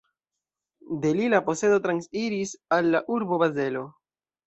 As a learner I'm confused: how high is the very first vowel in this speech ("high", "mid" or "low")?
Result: mid